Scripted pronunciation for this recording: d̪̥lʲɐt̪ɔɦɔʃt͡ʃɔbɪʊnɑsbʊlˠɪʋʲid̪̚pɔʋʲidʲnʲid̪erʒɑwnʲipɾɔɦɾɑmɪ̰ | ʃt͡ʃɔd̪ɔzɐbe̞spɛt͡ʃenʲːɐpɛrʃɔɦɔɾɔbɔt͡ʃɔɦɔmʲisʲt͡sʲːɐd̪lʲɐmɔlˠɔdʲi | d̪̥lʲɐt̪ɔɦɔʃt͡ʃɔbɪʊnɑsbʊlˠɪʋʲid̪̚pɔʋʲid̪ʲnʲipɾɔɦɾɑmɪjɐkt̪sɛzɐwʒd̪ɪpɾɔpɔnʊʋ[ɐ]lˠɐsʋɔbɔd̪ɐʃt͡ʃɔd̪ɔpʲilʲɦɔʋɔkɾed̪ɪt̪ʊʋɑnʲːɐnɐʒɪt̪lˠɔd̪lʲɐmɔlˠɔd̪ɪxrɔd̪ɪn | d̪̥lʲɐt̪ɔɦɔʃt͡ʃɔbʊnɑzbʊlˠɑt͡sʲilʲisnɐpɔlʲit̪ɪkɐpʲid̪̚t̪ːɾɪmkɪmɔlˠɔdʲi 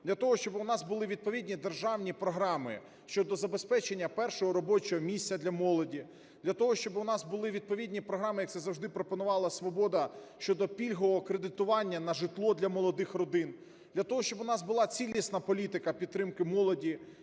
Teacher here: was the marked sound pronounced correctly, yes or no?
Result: no